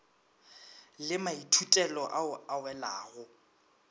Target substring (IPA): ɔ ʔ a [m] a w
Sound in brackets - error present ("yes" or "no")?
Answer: yes